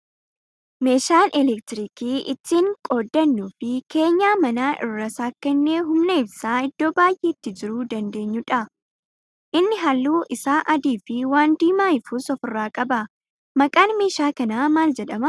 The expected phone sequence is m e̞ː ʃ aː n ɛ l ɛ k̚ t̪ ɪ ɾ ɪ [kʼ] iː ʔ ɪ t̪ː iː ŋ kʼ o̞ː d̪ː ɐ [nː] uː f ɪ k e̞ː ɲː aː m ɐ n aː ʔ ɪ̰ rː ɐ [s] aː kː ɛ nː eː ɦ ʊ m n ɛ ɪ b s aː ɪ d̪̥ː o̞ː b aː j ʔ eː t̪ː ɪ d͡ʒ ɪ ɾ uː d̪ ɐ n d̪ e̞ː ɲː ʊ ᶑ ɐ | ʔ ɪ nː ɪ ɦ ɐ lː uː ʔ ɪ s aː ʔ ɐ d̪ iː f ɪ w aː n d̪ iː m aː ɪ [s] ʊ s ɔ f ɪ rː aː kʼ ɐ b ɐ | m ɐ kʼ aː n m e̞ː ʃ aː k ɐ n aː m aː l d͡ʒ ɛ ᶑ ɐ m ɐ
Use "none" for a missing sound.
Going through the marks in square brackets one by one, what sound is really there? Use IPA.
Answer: k, nː, s, f

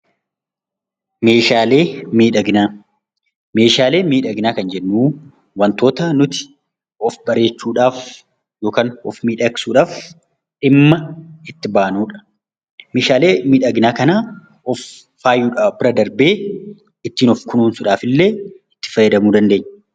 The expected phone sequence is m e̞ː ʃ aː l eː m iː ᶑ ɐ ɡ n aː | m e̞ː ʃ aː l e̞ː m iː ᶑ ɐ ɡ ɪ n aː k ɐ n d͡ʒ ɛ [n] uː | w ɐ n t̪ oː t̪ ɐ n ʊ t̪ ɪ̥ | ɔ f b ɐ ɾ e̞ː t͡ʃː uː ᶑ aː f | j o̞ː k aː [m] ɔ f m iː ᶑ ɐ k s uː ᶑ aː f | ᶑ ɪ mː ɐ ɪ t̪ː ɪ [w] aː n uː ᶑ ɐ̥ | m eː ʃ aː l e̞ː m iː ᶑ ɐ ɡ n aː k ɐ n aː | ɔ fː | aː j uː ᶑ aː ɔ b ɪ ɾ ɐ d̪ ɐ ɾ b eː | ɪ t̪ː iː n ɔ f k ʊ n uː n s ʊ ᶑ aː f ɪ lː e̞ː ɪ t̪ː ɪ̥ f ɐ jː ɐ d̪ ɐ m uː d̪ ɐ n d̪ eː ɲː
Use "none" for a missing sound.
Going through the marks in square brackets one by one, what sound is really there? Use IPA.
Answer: nː, n, b

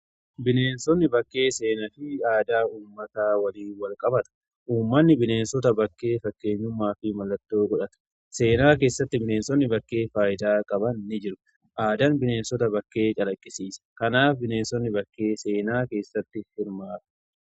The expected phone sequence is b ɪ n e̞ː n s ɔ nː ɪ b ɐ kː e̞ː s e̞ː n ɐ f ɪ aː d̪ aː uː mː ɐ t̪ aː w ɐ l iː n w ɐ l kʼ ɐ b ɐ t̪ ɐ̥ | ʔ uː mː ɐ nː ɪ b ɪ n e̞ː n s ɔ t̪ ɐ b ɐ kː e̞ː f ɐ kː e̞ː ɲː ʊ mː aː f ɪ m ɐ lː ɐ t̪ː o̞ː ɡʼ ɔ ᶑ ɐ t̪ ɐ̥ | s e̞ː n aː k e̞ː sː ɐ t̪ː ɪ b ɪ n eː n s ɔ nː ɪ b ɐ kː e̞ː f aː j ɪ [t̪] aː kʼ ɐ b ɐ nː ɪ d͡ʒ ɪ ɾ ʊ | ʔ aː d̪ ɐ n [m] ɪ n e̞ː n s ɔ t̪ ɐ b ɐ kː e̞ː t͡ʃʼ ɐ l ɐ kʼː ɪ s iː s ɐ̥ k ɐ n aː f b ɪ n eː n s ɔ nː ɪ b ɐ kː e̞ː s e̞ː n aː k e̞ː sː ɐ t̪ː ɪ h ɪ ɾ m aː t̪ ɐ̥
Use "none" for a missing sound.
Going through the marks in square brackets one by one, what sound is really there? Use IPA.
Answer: d̪, b

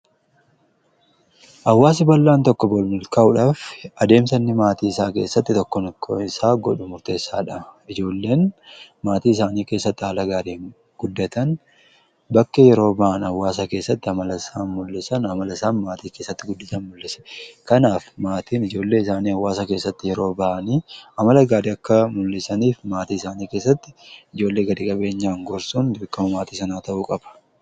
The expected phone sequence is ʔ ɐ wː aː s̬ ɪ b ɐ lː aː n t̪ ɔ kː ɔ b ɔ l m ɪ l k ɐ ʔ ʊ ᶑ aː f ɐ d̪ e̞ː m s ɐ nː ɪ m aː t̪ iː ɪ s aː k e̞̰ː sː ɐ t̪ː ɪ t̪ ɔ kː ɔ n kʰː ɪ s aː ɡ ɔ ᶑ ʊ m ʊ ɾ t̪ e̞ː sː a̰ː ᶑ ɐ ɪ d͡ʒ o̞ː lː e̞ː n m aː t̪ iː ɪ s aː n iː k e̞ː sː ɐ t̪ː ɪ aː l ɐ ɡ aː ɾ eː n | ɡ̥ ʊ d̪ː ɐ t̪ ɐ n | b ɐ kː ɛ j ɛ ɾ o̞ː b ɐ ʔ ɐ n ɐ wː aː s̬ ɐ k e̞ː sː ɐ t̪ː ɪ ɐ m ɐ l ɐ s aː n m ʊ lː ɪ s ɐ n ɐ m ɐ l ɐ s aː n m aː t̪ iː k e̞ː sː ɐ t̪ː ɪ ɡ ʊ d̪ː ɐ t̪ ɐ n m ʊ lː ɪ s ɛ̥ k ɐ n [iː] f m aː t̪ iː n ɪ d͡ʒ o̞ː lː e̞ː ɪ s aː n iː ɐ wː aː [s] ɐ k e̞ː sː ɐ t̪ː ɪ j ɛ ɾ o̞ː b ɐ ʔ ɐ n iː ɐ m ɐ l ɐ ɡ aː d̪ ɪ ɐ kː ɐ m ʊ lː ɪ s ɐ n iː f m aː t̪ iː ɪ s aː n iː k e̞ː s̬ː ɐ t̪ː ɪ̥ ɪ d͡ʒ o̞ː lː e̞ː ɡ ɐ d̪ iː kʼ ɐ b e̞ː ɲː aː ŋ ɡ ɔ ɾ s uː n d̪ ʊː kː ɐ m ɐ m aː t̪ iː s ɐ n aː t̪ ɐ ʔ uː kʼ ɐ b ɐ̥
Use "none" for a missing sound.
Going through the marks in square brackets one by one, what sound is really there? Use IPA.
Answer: aː, s

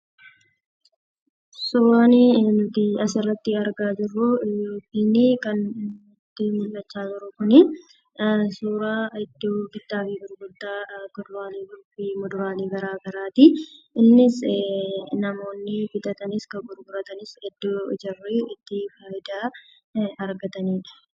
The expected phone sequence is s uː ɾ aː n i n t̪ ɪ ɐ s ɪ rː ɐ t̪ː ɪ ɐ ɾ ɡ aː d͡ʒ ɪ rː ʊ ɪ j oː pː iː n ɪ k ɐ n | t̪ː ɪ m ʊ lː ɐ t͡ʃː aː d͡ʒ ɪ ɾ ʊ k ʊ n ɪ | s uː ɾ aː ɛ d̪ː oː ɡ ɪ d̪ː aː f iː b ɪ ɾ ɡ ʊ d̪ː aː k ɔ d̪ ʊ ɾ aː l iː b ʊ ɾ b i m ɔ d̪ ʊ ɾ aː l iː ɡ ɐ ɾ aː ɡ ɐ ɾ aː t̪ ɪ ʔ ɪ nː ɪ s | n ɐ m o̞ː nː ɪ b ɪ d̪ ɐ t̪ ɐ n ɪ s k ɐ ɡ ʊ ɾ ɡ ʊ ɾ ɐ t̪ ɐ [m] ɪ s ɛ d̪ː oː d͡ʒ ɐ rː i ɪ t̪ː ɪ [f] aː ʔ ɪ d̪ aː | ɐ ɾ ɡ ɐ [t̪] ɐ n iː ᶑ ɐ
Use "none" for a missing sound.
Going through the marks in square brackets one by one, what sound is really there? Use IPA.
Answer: n, f, t̪

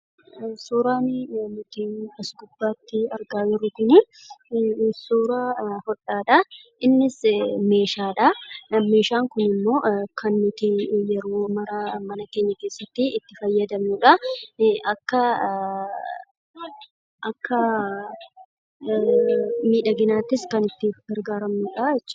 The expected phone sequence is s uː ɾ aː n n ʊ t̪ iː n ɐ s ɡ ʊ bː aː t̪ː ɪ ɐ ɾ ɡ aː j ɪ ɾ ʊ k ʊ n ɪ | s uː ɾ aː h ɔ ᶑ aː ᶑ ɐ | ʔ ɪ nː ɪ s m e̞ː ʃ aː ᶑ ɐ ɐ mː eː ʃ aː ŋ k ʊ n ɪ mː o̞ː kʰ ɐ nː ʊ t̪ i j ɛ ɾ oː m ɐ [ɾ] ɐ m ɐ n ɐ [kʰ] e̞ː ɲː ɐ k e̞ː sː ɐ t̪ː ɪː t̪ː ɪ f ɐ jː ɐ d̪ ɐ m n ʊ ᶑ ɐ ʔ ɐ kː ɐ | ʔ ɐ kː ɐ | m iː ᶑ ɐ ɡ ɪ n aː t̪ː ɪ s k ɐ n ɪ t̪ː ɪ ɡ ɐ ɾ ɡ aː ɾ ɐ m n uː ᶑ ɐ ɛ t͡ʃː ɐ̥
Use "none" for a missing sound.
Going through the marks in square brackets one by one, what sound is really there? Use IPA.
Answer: ɾ, k

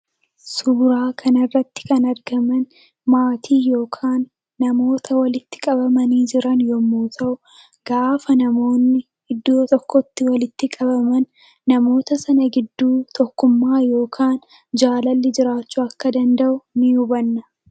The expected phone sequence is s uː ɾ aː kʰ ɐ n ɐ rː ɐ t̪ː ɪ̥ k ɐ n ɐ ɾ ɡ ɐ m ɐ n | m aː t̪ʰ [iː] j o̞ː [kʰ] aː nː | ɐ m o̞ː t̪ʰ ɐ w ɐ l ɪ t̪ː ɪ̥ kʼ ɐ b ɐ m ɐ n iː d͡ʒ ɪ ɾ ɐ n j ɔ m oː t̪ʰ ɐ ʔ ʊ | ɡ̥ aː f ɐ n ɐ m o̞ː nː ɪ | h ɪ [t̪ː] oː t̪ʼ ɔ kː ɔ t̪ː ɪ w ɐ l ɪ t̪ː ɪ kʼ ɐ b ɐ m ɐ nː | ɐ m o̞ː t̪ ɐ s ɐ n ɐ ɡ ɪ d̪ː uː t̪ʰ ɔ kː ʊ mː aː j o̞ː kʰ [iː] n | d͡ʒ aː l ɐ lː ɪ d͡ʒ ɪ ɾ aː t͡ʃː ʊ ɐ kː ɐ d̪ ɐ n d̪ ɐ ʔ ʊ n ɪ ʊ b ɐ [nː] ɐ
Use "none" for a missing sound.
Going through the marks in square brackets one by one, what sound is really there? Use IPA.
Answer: iː, kʰ, d̪ː, aː, nː

